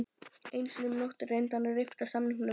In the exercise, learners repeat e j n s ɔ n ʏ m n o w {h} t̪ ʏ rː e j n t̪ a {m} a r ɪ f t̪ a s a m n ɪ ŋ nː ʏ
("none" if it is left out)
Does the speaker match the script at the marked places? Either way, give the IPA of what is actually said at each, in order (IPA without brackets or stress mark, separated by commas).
h, n